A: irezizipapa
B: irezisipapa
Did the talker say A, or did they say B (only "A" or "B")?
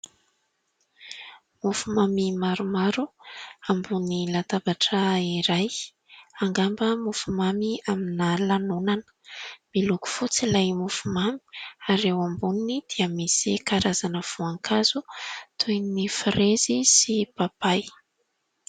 B